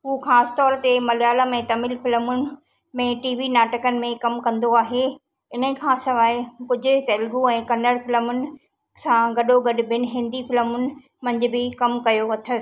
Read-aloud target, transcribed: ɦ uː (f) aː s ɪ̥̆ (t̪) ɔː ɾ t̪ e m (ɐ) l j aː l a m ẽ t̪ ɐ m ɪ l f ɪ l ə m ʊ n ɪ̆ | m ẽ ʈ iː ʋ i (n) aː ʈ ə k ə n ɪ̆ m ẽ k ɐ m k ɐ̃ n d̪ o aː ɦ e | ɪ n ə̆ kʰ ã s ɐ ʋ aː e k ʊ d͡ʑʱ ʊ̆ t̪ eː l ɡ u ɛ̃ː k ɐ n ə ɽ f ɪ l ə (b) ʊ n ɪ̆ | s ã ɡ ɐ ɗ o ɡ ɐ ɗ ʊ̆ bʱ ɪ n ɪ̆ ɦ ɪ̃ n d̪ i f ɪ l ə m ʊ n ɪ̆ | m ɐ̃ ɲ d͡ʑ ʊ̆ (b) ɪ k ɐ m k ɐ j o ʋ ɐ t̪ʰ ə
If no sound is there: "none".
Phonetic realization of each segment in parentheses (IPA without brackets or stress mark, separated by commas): x, t̪, ɐ, n, m, b